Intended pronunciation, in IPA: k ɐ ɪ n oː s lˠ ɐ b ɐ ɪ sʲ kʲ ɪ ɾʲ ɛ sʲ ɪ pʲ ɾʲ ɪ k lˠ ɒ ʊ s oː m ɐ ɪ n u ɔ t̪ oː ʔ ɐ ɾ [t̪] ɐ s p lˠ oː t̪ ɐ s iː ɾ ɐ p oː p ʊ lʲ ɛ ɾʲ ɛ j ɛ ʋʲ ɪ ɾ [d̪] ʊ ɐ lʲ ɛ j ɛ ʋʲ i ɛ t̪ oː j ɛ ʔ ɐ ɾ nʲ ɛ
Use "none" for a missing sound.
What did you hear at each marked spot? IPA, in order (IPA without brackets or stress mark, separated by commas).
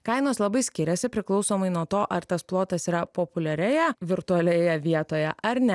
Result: t̪, t̪